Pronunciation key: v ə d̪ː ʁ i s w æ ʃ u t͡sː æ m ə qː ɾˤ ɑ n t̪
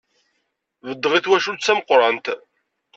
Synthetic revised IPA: v ə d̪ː ʁ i θ w æ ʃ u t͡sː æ m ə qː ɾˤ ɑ n t̪